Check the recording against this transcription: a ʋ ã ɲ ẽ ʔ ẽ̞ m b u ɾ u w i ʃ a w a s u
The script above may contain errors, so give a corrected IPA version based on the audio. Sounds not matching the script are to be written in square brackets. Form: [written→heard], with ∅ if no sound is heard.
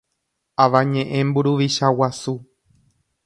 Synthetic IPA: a ʋ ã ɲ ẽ ʔ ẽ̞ m b u ɾ u [w→ʋ] i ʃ a w a s u